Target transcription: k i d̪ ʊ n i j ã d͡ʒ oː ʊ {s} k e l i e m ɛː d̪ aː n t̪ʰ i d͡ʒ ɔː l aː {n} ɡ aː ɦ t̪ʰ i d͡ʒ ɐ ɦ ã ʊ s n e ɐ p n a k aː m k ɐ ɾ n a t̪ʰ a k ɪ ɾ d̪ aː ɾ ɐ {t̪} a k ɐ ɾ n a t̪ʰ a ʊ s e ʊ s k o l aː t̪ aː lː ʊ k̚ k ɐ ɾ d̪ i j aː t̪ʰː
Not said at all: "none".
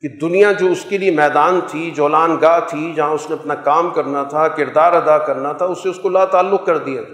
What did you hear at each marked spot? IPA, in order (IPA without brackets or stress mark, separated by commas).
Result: s, n, d̪